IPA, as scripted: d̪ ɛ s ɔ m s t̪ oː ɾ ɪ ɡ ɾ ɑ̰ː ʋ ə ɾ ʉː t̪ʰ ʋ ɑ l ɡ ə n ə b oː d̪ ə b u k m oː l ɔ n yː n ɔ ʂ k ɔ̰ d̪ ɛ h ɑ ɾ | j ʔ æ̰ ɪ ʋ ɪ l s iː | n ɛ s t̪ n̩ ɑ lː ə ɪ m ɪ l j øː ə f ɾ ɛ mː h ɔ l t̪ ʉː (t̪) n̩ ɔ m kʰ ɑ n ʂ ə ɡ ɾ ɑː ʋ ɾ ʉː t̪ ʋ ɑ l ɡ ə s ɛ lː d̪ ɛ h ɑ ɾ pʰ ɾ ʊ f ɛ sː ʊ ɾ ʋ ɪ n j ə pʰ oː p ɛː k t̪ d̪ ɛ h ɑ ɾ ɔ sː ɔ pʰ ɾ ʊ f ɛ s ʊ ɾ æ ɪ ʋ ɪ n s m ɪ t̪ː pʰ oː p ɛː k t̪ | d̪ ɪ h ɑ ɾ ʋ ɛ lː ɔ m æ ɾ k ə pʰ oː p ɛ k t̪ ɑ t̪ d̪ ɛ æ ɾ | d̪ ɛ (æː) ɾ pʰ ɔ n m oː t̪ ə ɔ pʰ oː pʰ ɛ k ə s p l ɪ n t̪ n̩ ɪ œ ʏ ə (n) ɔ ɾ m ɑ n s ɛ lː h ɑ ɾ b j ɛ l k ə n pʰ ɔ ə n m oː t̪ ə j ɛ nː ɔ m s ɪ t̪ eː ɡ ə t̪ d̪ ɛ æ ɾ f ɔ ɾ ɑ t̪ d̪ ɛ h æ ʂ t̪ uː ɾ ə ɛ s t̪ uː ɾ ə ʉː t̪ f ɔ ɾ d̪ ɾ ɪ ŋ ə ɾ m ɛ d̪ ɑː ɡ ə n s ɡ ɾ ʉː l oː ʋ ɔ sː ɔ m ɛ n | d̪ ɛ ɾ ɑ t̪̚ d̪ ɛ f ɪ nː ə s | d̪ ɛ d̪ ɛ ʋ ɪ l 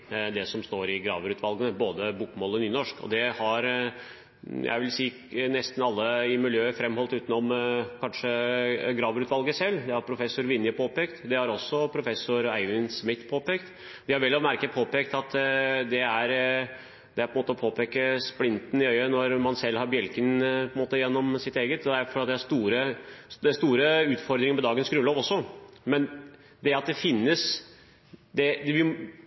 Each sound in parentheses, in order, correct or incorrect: correct, incorrect, correct

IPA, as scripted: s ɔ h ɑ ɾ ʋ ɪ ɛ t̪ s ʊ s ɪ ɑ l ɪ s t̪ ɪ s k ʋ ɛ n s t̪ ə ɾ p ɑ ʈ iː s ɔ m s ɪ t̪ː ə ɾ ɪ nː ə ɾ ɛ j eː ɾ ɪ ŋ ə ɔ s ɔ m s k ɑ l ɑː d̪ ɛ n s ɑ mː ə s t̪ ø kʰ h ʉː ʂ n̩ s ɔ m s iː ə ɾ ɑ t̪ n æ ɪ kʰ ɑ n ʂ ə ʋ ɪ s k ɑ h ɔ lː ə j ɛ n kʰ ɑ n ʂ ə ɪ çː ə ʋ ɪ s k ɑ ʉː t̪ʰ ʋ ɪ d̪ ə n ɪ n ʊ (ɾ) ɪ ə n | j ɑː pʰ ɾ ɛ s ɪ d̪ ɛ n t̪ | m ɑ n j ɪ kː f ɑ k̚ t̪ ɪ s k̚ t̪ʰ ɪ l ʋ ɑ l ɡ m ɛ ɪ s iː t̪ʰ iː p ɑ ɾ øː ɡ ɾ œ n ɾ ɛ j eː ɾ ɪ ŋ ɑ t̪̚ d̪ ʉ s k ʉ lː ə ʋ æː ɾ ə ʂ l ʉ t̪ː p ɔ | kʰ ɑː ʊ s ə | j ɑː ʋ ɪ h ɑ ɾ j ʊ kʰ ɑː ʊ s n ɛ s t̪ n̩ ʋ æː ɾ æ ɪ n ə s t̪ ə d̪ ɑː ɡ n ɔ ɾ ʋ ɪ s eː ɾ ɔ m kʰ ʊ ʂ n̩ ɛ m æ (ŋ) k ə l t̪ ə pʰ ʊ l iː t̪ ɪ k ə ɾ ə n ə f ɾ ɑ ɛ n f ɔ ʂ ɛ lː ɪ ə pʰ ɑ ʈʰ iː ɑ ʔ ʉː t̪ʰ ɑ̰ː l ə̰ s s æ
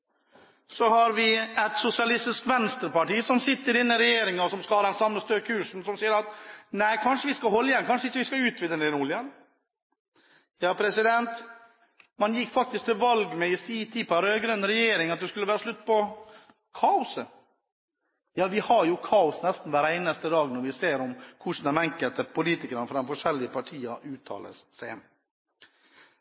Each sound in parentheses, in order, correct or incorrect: incorrect, correct

